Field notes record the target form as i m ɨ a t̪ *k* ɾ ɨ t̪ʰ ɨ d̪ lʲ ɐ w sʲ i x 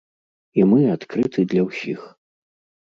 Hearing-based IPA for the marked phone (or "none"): k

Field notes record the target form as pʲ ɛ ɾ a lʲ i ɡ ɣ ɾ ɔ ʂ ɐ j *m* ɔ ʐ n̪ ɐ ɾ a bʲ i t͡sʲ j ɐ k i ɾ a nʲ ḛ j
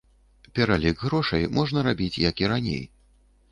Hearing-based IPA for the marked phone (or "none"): m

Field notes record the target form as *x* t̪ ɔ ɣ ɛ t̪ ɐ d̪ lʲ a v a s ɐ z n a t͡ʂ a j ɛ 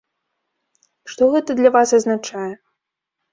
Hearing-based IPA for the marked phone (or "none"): ʂ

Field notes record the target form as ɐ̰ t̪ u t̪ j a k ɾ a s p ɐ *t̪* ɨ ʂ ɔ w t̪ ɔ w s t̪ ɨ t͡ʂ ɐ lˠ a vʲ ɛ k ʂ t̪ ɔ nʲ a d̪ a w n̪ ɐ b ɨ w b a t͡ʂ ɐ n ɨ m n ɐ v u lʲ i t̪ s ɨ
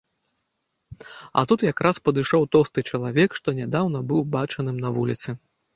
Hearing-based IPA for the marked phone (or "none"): d̪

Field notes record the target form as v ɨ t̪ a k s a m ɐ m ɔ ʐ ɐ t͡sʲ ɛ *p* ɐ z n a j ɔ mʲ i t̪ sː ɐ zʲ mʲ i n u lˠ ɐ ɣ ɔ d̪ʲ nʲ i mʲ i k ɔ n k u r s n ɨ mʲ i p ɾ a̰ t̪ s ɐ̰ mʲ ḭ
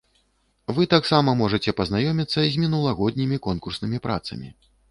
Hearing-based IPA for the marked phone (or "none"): p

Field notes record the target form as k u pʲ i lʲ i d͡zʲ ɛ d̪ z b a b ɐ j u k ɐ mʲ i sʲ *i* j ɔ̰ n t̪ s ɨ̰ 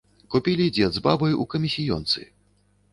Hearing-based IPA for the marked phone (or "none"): i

